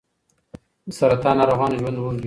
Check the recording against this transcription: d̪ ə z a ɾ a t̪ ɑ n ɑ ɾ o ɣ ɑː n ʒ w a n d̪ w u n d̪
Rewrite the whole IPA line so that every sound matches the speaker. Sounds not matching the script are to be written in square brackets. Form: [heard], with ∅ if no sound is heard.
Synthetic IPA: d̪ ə [s] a ɾ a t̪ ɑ n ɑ ɾ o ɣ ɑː n ʒ w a n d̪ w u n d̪